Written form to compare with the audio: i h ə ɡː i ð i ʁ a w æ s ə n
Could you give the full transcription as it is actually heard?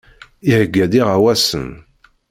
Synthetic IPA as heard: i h ə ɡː æ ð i ʁ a w æ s ə n